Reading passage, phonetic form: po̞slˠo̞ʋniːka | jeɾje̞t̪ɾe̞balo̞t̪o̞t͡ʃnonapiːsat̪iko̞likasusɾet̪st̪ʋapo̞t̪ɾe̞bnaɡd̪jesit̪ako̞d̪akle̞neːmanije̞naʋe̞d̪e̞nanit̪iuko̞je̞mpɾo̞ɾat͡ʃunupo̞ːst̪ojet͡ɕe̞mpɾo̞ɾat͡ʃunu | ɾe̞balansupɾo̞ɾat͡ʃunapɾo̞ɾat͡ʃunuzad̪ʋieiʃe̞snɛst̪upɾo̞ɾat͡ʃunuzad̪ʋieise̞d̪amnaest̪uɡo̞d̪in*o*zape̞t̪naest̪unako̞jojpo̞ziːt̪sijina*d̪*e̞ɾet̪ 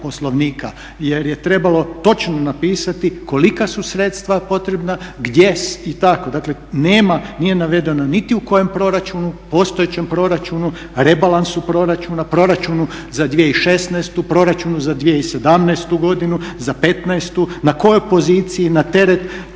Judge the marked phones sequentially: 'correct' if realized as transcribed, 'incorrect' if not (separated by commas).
incorrect, incorrect